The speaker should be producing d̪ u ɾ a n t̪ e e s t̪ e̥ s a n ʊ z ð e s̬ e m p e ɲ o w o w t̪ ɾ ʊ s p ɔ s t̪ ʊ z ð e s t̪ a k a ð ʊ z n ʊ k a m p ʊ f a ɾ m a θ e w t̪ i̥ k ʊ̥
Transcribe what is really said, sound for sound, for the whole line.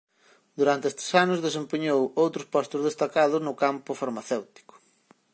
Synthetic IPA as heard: d̪ u ɾ a n t̪ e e s t̪ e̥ s a n ʊ z ð e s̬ e m p e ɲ o w o w t̪ ɾ ʊ s p ɔ s t̪ ʊ z ð e s t̪ a k a ð ʊ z n ʊ k a m p ʊ f a ɾ m a θ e w t̪ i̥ k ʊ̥